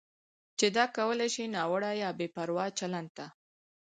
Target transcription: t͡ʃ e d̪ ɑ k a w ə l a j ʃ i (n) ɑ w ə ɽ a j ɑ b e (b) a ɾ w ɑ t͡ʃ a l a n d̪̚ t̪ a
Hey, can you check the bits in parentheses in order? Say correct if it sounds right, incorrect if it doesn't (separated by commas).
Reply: correct, incorrect